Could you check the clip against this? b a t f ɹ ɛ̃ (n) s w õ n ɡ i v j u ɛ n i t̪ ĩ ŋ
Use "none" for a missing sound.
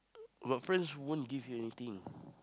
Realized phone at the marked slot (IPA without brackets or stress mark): n